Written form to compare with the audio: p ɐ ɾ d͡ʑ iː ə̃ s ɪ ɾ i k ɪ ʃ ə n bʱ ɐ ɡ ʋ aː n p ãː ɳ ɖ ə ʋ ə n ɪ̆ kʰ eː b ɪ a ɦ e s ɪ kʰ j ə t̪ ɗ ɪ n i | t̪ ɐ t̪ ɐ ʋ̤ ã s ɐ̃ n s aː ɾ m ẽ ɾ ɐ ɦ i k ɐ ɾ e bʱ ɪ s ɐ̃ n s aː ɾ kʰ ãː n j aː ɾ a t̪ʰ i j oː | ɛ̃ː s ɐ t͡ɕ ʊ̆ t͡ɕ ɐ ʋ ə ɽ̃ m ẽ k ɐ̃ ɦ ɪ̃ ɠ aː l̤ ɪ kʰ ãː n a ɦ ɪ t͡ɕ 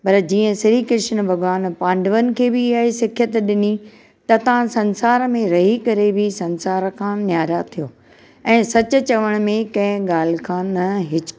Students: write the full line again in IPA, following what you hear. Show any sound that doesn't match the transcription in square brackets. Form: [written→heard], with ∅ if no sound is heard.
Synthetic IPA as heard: p ɐ ɾ d͡ʑ iː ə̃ s ɪ ɾ i k ɪ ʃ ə n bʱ ɐ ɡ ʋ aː n p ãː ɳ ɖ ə ʋ ə n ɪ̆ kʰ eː b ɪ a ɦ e s ɪ kʰ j ə t̪ ɗ ɪ n i | t̪ ɐ t̪ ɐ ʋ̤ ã s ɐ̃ n s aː ɾ m ẽ ɾ ɐ ɦ i k ɐ ɾ e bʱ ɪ s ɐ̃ n s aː ɾ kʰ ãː n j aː ɾ a t̪ʰ i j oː | ɛ̃ː s ɐ t͡ɕ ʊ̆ t͡ɕ ɐ ʋ ə ɽ̃ m ẽ k ɐ̃ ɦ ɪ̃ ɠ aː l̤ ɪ kʰ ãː n [a→ɐ] ɦ ɪ t͡ɕ